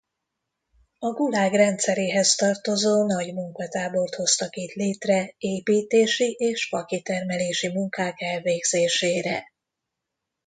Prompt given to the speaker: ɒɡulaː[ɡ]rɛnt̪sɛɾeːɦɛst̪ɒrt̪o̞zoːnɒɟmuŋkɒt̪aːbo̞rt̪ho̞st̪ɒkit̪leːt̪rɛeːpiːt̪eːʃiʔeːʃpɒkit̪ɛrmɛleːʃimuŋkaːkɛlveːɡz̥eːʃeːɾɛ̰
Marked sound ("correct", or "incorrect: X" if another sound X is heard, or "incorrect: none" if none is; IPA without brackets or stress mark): correct